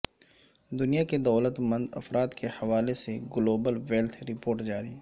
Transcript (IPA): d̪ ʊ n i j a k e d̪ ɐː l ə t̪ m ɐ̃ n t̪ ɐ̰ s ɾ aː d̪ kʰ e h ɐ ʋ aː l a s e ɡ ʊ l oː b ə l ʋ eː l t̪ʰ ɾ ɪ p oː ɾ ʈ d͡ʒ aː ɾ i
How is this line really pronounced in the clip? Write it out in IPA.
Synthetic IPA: d̪ ʊ n i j a k e d̪ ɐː l ə t̪ m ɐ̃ n d̪ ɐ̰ f ɾ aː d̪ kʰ e h ɐ ʋ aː l e s e ɡ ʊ l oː b ə l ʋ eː l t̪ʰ ɾ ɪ p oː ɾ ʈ d͡ʒ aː ɾ i